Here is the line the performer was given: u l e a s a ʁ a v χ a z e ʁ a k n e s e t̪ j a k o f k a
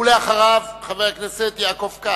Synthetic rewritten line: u l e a χ a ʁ a v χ a v e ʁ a k n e s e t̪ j a k o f k a